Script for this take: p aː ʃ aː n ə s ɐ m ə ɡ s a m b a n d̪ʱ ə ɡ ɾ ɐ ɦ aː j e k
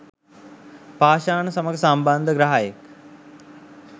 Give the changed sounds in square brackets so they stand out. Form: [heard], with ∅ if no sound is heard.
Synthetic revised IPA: p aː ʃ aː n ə s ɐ m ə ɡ s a m b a n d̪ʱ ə ɡ ɾ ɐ ɦ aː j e k